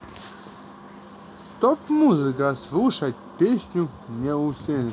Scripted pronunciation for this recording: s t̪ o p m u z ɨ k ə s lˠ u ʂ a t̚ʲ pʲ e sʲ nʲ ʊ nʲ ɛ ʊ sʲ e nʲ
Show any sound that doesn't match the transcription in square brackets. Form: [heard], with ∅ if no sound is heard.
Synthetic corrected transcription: s t̪ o p m u z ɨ k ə s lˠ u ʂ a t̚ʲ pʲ e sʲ nʲ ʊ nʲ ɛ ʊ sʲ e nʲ